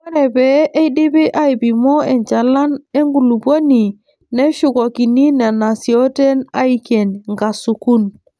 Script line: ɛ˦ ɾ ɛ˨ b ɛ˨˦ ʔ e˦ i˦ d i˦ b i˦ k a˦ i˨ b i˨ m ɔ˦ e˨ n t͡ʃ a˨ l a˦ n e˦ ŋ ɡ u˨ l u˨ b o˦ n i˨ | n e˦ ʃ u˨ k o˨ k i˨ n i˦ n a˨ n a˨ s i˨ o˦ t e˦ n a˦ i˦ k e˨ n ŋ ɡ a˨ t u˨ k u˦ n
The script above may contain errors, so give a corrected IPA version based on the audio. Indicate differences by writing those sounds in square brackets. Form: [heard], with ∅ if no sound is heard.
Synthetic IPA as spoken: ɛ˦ ɾ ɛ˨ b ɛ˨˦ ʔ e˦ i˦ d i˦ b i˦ [ʔ] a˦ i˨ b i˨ m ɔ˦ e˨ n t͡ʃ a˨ l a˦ n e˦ ŋ ɡ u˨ l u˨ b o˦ n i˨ | n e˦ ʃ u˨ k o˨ k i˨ n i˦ n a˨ n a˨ s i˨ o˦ t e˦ n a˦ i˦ k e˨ n ŋ ɡ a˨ [s] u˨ k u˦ n